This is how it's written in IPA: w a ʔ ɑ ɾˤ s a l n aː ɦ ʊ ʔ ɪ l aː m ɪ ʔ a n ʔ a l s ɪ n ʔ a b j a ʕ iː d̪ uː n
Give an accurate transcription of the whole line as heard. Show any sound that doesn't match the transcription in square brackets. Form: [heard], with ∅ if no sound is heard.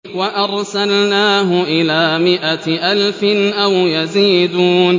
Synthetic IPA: w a ʔ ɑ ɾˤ s a l n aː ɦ ʊ ʔ ɪ l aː m ɪ ʔ a [∅] ʔ a l [f] ɪ n ʔ a [w] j a [z] iː d̪ uː n